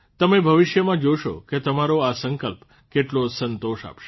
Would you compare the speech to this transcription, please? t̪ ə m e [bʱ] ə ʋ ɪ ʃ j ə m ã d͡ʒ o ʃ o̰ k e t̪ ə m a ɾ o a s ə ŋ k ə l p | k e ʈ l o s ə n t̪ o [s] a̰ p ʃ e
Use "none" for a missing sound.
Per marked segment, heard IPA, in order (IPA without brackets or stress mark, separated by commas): bʱ, ʃ